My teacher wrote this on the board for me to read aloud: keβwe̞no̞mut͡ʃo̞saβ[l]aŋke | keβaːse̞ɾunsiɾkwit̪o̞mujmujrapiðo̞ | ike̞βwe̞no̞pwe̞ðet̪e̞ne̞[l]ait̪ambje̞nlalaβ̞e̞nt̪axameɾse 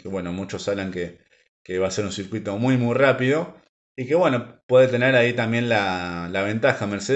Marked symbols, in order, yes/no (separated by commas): yes, no